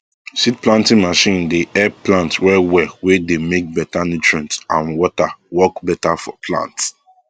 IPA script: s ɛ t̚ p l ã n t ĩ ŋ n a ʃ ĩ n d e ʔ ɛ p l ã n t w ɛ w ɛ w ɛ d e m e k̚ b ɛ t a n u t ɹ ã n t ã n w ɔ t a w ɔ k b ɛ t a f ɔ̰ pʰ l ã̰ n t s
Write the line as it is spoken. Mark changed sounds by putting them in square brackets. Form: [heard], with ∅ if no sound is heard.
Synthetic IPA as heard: s [i] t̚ p l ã n t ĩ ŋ [m] a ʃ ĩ n d e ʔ ɛ p l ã n t w ɛ w ɛ w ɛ d e m e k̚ b ɛ t a n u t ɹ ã n t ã n w ɔ t a w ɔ k b ɛ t a f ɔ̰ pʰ l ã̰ n t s